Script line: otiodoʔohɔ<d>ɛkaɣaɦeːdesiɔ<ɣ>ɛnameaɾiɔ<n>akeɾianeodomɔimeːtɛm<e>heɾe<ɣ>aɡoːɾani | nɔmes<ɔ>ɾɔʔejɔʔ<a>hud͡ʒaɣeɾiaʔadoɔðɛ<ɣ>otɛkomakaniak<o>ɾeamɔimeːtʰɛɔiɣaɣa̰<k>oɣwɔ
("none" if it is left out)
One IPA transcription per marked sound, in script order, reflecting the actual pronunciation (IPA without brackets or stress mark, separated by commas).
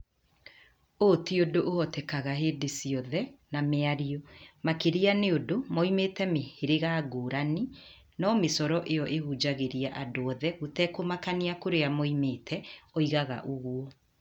t, ð, m, e, ɣ, ɔ, e, ɣ, o, ʔ